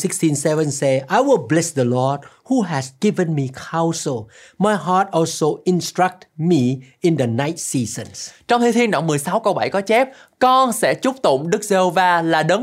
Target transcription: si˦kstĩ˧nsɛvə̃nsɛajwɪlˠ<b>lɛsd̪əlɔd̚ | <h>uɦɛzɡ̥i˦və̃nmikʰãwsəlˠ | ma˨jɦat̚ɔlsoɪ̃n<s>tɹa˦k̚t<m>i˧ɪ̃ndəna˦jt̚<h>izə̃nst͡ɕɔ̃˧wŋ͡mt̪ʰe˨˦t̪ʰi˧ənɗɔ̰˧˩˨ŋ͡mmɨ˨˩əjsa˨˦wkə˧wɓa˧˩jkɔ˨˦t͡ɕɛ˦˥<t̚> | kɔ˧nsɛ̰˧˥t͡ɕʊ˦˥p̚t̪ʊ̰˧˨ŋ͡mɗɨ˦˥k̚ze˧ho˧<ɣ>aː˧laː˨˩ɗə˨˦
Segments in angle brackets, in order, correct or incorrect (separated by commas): correct, correct, correct, correct, incorrect, incorrect, incorrect